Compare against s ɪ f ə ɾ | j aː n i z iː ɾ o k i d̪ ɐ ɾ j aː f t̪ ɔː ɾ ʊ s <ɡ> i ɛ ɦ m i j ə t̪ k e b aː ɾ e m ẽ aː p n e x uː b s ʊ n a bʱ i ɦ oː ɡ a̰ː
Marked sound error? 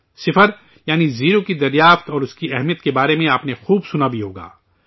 yes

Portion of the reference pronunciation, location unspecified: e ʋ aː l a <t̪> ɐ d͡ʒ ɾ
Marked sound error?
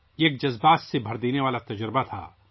no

